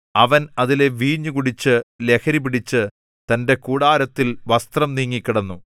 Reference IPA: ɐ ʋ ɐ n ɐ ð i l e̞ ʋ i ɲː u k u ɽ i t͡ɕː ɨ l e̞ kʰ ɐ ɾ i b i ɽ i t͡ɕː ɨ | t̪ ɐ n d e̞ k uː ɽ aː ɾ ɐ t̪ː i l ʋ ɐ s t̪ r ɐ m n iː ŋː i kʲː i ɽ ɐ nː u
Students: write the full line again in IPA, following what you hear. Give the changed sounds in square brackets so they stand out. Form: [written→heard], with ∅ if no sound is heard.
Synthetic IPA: ɐ ʋ ɐ n ɐ ð i l e̞ ʋ [i→iː] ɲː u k u ɽ i t͡ɕː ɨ l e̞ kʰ ɐ ɾ i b i ɽ i t͡ɕː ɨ | t̪ ɐ n d e̞ k uː ɽ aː ɾ ɐ t̪ː i l ʋ ɐ s t̪ r ɐ m n iː ŋː i kʲː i ɽ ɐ nː u